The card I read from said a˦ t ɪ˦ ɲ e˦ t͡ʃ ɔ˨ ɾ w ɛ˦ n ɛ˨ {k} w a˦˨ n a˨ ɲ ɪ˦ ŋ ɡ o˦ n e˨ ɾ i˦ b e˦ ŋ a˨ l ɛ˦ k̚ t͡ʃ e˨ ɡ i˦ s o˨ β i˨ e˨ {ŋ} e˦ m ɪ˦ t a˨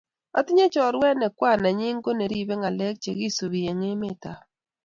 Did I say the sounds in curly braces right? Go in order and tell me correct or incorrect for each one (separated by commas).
correct, correct